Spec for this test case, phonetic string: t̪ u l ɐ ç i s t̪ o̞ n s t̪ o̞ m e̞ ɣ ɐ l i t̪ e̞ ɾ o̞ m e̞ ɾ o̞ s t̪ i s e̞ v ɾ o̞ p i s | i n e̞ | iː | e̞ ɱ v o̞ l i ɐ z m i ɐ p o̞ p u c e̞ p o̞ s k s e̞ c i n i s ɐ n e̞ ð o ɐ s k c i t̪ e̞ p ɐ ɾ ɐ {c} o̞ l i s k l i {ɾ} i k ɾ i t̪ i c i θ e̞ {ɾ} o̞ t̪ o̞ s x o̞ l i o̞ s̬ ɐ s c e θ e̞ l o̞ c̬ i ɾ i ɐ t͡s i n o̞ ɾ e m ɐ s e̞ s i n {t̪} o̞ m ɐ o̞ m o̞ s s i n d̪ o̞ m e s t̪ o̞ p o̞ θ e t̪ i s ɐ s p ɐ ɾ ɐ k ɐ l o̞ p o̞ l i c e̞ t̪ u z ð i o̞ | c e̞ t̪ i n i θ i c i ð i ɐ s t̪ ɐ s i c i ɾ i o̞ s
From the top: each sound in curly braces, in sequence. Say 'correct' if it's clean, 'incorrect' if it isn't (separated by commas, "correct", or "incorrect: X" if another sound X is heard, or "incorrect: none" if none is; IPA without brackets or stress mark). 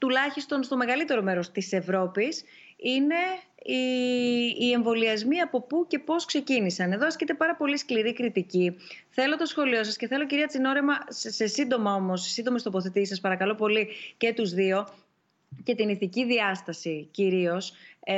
incorrect: p, correct, incorrect: l, incorrect: d̪